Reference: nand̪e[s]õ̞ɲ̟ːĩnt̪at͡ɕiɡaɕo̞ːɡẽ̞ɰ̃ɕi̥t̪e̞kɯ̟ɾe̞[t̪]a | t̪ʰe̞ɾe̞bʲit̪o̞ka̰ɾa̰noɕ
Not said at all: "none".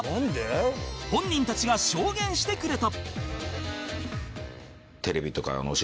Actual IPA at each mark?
h, t̪

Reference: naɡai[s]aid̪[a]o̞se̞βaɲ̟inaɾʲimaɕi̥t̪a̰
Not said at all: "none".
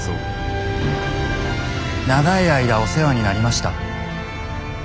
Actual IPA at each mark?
none, a

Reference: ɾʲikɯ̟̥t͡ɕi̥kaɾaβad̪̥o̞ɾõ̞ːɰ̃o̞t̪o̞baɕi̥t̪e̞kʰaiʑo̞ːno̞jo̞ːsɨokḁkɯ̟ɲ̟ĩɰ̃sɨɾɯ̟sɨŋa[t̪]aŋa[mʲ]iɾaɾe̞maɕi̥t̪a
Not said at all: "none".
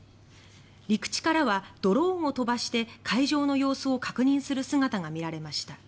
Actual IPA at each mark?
t̪, mʲ

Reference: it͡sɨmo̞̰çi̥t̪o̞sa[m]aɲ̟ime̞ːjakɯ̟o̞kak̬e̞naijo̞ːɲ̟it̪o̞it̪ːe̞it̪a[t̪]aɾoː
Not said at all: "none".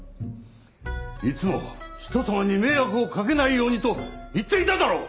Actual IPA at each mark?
m, d̪

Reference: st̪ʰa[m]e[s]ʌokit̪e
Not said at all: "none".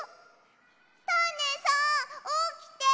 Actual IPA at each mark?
n, s

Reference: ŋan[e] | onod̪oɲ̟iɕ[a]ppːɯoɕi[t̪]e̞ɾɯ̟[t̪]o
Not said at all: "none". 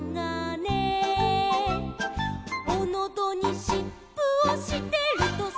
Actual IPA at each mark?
e, i, t̪, t̪

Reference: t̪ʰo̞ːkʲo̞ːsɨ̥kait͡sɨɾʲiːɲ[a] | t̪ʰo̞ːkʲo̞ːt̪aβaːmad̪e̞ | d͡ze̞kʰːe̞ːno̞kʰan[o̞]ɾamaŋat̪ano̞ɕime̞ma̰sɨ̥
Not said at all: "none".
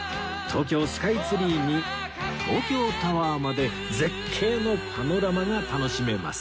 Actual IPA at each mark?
i, o̞

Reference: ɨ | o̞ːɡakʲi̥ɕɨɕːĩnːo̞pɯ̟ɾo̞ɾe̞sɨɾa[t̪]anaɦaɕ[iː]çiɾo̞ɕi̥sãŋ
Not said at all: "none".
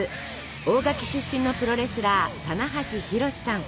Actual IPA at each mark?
t̪, i

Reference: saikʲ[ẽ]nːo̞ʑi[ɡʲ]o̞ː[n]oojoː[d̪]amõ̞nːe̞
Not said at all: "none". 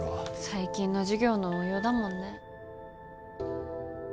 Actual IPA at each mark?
ĩ, ɡʲ, n, d̪

